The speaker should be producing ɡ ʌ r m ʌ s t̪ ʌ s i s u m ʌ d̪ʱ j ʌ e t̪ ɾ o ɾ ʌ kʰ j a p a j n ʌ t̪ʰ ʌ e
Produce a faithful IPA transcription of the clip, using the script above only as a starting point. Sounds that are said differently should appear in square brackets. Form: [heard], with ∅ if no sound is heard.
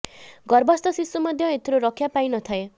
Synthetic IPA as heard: ɡ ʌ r [b] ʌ s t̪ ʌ s i s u m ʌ d̪ʱ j ʌ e t̪ ɾ o ɾ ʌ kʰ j a p a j n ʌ t̪ʰ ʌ e